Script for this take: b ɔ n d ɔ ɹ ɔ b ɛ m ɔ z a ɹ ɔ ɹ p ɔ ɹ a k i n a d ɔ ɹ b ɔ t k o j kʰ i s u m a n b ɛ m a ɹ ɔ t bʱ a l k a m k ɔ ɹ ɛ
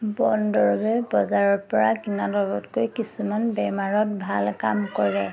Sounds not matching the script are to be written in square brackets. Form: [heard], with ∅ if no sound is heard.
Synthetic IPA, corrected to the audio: b ɔ n d ɔ ɹ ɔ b ɛ [b] ɔ z a ɹ ɔ ɹ p ɔ ɹ a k i n a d ɔ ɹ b ɔ t k o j [k] i s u m a n b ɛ m a ɹ ɔ t bʱ a l k a m k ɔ ɹ ɛ

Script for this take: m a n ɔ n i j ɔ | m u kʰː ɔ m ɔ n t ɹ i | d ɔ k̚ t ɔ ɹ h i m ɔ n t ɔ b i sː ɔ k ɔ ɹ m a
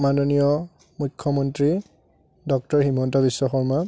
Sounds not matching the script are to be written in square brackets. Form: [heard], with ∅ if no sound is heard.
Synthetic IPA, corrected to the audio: m a n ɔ n i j ɔ | m u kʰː ɔ m ɔ n t ɹ i | d ɔ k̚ t ɔ ɹ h i m ɔ n t ɔ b i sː ɔ [x] ɔ ɹ m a

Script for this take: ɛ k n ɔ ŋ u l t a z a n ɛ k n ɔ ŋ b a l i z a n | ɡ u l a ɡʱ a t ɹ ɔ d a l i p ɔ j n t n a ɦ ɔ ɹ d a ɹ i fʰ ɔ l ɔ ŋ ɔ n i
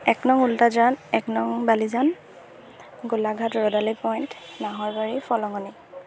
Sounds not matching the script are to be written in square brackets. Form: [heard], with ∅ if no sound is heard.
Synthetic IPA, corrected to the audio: ɛ k n ɔ ŋ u l t a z a n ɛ k n ɔ ŋ b a l i z a n | ɡ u l a ɡʱ a t ɹ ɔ d a l i p ɔ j n t n a ɦ ɔ ɹ [b] a ɹ i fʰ ɔ l ɔ ŋ ɔ n i

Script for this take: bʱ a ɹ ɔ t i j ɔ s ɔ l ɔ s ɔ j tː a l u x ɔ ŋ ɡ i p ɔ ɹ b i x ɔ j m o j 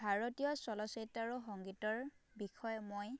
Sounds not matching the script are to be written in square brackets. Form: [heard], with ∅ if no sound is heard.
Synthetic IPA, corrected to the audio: bʱ a ɹ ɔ t i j ɔ s ɔ l ɔ s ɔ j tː a [ɹ] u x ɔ ŋ ɡ i [t] ɔ ɹ b i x ɔ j m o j

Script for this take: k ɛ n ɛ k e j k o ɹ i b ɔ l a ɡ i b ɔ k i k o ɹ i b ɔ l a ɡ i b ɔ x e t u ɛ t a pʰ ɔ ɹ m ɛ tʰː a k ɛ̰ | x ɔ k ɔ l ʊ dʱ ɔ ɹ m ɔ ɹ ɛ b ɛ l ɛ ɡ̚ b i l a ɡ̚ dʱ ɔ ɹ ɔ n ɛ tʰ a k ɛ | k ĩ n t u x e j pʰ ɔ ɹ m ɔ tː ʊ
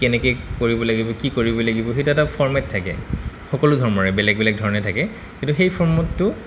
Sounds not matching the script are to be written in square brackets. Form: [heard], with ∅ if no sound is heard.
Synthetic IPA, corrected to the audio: k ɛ n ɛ k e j k o ɹ i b ɔ l a ɡ i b ɔ k i k o ɹ i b ɔ l a ɡ i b ɔ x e t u ɛ t a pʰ ɔ ɹ m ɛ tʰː a k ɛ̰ | x ɔ k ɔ l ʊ dʱ ɔ ɹ m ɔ ɹ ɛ b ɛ l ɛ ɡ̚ b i l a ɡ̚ dʱ ɔ ɹ ɔ n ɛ tʰ a k ɛ | k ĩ n t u x e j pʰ ɔ ɹ m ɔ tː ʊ

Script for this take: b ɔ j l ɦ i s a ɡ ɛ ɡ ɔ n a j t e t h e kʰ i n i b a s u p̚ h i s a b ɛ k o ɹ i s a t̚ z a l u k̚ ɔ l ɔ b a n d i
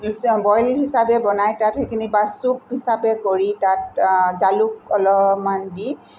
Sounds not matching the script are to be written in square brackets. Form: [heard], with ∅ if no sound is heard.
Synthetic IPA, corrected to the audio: b ɔ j l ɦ i s a [b] ɛ [b] ɔ n a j t [a] t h e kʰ i n i b a s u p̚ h i s a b ɛ k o ɹ i [t] a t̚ z a l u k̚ ɔ l ɔ [m] a n d i

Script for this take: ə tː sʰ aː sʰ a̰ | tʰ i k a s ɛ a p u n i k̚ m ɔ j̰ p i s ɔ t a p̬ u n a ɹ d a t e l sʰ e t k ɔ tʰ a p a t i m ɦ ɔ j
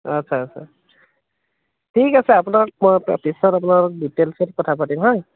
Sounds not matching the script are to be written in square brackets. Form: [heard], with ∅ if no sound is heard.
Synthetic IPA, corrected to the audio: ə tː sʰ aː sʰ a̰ | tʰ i k a s ɛ a p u n [a] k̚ m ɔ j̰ p i s ɔ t a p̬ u n a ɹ d [i] t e l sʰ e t k ɔ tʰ a p a t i m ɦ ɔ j

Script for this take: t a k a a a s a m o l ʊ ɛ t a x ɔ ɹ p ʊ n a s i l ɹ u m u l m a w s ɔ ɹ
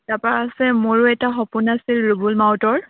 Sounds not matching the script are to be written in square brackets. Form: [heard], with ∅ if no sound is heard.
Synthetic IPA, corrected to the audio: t a [p] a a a s [ɛ] m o [ɹ] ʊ ɛ t a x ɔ [∅] p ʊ n a s i l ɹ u [b] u l m a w [t] ɔ ɹ

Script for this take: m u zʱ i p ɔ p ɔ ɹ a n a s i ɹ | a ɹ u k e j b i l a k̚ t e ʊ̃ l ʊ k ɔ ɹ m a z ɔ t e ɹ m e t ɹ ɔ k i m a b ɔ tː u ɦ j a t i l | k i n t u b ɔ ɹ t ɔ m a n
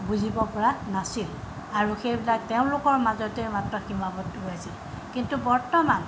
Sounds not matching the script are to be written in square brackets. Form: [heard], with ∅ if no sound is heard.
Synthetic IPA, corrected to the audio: [b] u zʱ i [b] ɔ p ɔ ɹ a n a s i [l] | a ɹ u [x] e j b i l a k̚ t e ʊ̃ l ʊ k ɔ ɹ m a z ɔ t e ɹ m [a] t ɹ ɔ [x] i m a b ɔ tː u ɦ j a [s] i l | k i n t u b ɔ ɹ t ɔ m a n

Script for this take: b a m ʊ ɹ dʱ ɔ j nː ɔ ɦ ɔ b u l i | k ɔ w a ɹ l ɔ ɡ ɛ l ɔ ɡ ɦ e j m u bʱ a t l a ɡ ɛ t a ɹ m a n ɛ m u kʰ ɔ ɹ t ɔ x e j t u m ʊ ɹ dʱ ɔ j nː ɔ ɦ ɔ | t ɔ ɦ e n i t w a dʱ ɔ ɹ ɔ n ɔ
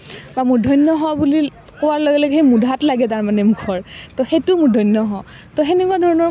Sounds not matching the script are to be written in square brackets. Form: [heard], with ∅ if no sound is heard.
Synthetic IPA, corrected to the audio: b a m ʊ ɹ dʱ ɔ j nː ɔ ɦ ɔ b u l i | k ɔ w a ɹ l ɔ ɡ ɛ l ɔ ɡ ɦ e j m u [dʱ] a t l a ɡ ɛ t a ɹ m a n ɛ m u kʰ ɔ ɹ t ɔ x e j t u m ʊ ɹ dʱ ɔ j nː ɔ ɦ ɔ | t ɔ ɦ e n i [k] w a dʱ ɔ ɹ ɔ n ɔ

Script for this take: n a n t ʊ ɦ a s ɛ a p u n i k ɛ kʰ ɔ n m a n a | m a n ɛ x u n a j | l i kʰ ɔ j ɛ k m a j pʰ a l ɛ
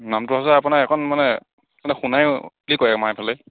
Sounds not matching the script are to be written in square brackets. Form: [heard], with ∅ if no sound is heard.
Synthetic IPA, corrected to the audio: n a [m] t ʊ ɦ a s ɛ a p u n [a] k ɛ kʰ ɔ n m a n [ɛ] | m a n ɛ x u n a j | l i [k] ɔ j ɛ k m a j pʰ a l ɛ

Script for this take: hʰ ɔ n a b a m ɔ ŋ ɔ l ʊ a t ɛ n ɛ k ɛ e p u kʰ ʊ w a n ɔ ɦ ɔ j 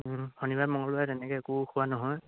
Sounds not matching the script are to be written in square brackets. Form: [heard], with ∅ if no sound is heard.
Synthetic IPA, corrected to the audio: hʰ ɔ n [i] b a m ɔ ŋ ɔ l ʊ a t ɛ n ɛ k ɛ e [k] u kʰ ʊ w a n ɔ ɦ ɔ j

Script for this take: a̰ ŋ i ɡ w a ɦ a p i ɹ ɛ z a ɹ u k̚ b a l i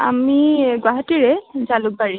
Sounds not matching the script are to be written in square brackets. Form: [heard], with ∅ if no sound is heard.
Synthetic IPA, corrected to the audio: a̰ [m] i ɡ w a ɦ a [t] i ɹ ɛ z a [l] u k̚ b a [ɹ] i

